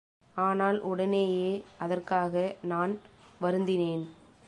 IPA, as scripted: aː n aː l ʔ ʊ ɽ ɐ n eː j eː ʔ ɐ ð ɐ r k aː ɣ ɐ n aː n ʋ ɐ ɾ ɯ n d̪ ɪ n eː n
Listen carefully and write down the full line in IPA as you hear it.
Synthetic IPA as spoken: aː n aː l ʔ ʊ ɽ ɐ n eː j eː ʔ ɐ ð ɐ r k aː ɣ ɐ n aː n ʋ ɐ ɾ ɯ n d̪ ɪ n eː n